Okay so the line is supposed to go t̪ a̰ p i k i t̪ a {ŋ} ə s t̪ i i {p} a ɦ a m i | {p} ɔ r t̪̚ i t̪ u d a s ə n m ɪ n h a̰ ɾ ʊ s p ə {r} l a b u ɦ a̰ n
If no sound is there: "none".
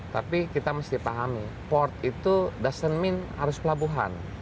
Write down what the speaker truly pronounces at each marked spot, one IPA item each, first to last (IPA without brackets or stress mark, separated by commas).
m, p, p, none